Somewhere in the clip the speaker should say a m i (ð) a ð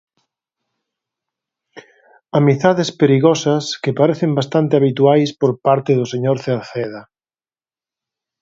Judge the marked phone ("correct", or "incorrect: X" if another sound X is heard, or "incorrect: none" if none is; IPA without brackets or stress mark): incorrect: θ